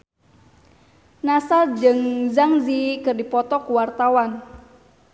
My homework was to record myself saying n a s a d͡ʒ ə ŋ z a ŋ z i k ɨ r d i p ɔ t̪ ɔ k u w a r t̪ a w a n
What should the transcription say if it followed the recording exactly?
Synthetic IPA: n a s a d͡ʒ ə ŋ z a ŋ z i k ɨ r d i p ɔ t̪ ɔ k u w a r t̪ a w a n